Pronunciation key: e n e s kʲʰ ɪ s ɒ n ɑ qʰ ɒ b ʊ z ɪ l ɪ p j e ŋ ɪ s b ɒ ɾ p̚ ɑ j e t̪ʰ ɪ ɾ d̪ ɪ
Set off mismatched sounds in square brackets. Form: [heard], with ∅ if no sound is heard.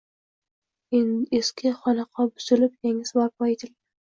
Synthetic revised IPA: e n e s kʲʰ ɪ [χ] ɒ n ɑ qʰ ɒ b ʊ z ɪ l ɪ p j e ŋ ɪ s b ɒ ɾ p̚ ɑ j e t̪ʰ ɪ [l] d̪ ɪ